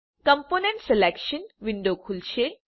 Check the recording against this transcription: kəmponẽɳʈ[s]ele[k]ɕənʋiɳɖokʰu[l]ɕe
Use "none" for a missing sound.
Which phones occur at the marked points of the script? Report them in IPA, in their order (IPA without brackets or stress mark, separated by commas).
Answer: s, k, l